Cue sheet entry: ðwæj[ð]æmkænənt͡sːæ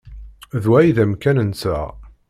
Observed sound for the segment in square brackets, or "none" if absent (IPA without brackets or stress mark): ð